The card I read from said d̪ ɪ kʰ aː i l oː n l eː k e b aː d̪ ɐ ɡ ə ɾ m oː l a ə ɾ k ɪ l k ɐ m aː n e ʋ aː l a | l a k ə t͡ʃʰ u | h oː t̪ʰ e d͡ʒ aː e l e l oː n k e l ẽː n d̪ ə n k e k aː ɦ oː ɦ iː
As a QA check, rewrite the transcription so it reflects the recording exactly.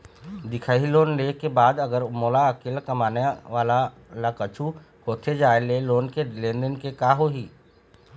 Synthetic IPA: d̪ ɪ kʰ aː i l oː n l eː k e b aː d̪ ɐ ɡ ə ɾ m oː l a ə k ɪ l k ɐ m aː n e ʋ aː l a | l a k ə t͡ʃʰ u | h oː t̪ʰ e d͡ʒ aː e l e l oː n k e l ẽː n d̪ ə n k e k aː ɦ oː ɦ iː